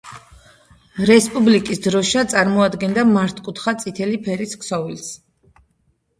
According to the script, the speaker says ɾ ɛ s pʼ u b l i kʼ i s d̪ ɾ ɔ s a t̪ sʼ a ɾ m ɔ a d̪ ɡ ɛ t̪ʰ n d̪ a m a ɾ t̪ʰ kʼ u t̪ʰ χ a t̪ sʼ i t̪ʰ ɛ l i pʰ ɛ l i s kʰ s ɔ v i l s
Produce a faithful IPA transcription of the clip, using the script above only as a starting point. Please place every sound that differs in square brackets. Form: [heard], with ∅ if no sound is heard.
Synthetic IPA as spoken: ɾ ɛ s pʼ u b l i kʼ i s d̪ ɾ ɔ [ʃ] a t̪ sʼ a ɾ m ɔ a d̪ ɡ ɛ [∅] n d̪ a m a ɾ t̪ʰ kʼ u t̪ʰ χ a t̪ sʼ i t̪ʰ ɛ l i pʰ ɛ [ɾ] i s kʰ s ɔ v i l s

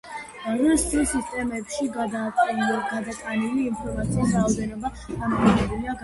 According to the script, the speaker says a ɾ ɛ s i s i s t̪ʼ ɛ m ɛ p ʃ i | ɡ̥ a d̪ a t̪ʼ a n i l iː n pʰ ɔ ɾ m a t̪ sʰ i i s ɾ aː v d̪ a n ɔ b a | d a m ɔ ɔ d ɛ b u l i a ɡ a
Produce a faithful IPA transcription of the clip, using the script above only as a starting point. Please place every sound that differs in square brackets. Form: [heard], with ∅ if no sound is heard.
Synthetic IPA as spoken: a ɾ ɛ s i s i s t̪ʼ ɛ m ɛ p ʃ i | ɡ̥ a d̪ a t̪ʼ a n i l iː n pʰ ɔ ɾ m a t̪ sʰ i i s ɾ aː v d̪ [ɛ] n ɔ b a | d a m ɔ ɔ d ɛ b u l i a ɡ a

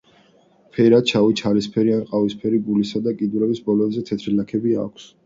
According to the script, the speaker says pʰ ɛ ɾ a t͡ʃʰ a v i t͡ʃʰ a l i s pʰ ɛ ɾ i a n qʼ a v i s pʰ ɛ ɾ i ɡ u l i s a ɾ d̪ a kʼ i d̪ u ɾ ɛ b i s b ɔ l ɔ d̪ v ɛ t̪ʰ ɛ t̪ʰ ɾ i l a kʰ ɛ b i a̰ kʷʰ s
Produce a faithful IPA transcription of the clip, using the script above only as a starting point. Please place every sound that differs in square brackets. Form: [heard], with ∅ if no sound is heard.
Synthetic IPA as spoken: pʰ ɛ ɾ a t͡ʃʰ a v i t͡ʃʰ a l i s pʰ ɛ ɾ i a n qʼ a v i s pʰ ɛ ɾ i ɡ u l i s a [∅] d̪ a kʼ i d̪ u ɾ ɛ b i s b ɔ l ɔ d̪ [z] ɛ t̪ʰ ɛ t̪ʰ ɾ i l a kʰ ɛ b i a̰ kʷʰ s

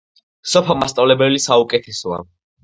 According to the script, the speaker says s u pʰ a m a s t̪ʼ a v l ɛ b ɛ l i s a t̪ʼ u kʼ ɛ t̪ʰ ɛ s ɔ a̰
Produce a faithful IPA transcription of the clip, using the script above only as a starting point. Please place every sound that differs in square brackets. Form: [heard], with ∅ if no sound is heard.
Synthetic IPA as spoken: s [ɔ] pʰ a m a s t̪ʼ a v l ɛ b ɛ l i s a [∅] u kʼ ɛ t̪ʰ ɛ s ɔ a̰

